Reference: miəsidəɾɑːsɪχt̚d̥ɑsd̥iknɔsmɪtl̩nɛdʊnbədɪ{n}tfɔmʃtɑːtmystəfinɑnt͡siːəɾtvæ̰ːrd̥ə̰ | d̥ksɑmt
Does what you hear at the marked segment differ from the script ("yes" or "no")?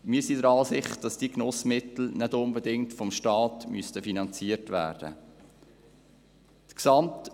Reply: yes